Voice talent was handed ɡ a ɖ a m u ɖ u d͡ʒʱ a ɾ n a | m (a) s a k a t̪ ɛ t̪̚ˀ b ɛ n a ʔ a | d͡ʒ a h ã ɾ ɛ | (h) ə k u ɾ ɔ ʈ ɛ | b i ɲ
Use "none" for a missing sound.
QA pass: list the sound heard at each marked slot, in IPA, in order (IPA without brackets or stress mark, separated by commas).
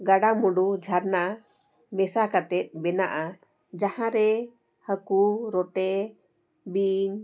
ɛ, h